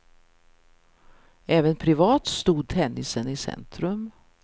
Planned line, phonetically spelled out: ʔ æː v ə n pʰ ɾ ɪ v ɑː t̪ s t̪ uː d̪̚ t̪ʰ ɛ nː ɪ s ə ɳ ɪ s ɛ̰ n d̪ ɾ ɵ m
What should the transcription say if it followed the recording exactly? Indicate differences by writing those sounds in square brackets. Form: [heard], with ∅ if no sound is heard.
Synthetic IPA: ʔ [ɛː] v ə n pʰ ɾ ɪ v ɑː t̪ s t̪ uː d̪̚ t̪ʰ ɛ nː ɪ s ə [n] ɪ s ɛ̰ n [t̪] ɾ ɵ m